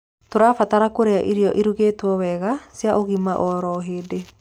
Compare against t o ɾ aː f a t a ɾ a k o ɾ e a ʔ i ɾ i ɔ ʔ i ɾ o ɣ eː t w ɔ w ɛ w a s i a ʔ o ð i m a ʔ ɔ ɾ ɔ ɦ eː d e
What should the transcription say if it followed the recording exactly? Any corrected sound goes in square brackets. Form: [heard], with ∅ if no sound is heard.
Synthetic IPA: t o ɾ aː f a t a ɾ a k o ɾ e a ʔ i ɾ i ɔ ʔ i ɾ [u] ɣ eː t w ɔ w ɛ [ɣ] a s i a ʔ o [ɣ] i m a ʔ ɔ ɾ ɔ ɦ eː d e